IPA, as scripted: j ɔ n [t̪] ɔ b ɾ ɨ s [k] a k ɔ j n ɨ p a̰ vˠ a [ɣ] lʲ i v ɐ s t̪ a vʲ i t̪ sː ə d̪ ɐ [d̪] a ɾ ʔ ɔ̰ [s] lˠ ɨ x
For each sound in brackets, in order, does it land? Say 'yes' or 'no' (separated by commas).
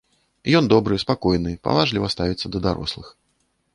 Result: no, no, no, yes, yes